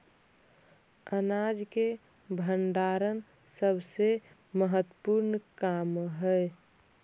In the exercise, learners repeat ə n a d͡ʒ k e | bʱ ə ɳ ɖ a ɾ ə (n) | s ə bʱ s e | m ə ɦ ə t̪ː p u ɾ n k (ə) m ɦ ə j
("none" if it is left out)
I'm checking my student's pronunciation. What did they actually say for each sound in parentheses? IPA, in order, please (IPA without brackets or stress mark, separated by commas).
n, a